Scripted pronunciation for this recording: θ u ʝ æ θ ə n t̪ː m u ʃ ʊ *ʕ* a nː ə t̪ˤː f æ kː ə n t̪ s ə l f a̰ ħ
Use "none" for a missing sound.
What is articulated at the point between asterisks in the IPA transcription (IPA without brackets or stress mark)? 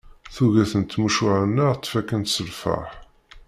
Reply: ʕ